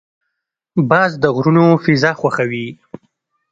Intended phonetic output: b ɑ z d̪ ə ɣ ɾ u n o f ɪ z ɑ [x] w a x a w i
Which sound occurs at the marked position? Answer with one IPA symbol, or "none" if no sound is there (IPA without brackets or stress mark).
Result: x